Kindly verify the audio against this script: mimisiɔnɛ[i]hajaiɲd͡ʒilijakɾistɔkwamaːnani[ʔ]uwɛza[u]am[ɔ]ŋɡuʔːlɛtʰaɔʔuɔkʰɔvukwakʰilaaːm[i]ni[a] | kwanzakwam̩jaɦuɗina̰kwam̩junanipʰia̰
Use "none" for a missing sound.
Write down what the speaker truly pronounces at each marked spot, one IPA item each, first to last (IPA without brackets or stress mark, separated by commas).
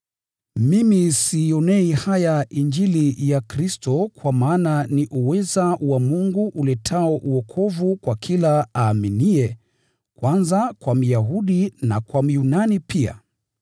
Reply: i, ʔ, w, u, i, ɛ